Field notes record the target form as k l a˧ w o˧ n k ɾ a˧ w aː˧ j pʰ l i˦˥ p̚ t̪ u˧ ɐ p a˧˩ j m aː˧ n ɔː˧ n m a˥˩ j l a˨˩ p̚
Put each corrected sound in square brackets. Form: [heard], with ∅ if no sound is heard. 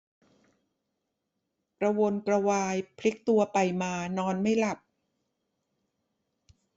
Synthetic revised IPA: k [ɾ] a˧ w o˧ n k ɾ a˧ w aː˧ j pʰ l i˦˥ [k̚] t̪ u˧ ɐ p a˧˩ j m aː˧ n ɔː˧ n m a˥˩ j l a˨˩ p̚